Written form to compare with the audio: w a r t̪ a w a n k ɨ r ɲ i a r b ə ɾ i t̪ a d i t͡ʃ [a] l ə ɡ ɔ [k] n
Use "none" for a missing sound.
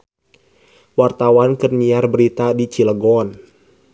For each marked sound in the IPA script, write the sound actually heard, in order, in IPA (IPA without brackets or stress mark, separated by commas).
i, none